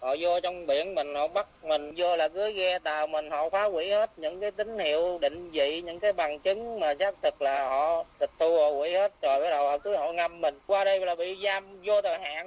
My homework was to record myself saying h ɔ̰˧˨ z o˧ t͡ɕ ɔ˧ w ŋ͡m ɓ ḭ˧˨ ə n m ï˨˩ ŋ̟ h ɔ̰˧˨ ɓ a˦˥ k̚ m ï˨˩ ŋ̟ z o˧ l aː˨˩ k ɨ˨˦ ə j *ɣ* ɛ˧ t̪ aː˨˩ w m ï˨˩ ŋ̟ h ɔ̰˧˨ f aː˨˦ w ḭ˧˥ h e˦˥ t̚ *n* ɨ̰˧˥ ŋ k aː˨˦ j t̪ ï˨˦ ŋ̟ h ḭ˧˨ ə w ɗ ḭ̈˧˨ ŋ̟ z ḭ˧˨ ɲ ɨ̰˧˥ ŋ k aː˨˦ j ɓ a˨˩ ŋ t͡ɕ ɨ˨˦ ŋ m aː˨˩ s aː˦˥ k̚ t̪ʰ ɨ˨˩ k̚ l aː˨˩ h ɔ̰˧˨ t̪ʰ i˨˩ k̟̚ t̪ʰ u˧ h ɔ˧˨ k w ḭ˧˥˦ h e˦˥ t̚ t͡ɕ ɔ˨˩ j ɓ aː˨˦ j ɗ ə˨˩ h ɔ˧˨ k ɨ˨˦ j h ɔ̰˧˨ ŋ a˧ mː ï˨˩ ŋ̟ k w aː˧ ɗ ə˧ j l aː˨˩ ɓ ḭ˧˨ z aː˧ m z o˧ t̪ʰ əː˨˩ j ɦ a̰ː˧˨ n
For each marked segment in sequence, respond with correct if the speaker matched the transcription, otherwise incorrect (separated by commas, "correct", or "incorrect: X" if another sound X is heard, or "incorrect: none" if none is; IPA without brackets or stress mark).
correct, incorrect: ɲ